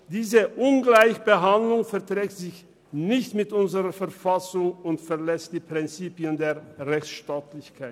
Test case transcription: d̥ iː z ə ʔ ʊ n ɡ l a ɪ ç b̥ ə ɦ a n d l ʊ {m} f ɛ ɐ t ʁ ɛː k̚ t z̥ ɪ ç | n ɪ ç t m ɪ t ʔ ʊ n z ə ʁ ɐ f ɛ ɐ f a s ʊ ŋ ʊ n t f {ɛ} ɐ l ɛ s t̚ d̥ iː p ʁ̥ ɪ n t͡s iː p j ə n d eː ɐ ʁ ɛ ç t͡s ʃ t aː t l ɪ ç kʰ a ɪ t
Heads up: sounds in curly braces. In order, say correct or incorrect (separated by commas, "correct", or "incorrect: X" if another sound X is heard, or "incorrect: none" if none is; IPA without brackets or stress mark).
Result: incorrect: ŋ, correct